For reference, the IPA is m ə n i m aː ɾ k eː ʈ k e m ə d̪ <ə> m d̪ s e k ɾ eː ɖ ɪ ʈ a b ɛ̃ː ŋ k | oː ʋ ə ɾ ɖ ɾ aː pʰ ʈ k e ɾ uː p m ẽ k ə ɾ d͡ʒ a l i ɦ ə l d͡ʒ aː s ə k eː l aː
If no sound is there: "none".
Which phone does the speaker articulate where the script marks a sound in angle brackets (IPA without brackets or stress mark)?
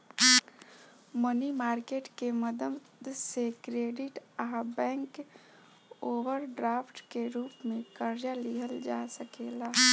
ə